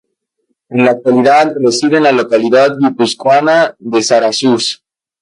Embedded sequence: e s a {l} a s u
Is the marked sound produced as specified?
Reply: no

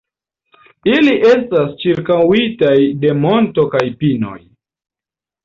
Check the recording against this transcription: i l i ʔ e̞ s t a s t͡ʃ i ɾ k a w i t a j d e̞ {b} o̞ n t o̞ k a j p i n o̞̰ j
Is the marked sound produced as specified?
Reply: no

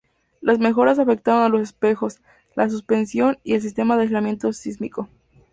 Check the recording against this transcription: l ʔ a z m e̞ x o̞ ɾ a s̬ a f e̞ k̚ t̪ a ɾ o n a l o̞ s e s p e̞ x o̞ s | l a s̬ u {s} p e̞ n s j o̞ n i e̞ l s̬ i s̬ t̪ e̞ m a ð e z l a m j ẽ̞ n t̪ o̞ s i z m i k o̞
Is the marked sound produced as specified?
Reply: yes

